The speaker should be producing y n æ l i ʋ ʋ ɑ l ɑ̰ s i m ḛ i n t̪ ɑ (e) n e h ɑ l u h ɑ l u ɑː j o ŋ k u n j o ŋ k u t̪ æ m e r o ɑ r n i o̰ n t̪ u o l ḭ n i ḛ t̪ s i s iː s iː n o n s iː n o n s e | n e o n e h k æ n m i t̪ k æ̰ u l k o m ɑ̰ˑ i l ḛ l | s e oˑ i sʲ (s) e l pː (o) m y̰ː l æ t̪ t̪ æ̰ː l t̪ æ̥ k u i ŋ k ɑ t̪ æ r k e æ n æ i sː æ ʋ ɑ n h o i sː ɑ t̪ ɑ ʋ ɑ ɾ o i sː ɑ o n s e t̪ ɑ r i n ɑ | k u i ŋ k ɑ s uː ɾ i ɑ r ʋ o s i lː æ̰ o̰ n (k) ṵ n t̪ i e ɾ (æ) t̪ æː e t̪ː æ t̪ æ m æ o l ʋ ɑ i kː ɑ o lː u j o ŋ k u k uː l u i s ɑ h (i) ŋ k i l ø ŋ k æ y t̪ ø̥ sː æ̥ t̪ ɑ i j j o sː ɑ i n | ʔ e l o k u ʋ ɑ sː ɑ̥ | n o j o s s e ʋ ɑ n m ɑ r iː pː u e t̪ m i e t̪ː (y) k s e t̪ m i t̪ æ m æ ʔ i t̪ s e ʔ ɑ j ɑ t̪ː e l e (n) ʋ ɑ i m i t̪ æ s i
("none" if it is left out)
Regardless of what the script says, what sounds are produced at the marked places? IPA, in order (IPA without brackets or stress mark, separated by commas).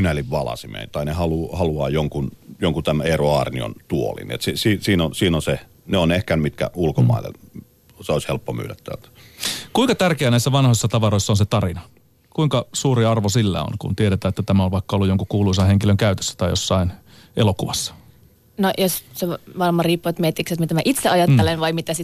i, h, o, k, e, e, i, n